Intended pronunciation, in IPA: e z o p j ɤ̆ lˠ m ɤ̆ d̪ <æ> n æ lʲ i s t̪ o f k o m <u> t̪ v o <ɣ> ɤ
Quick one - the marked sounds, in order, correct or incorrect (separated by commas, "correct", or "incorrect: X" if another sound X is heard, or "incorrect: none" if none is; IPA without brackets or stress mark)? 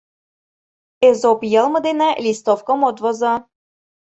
incorrect: e, incorrect: o, incorrect: z